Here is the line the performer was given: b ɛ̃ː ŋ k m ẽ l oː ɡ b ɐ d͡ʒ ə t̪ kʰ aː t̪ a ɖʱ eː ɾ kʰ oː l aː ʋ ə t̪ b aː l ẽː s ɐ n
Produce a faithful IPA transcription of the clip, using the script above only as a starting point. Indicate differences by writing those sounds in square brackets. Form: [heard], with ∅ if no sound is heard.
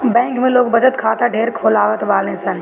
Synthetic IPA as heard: b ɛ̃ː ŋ k m ẽ l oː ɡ b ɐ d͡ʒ ə t̪ kʰ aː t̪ a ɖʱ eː ɾ kʰ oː l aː ʋ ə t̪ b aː l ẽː s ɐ n